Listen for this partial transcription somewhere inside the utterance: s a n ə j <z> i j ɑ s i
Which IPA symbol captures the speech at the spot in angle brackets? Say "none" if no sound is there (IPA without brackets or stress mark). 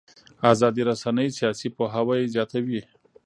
s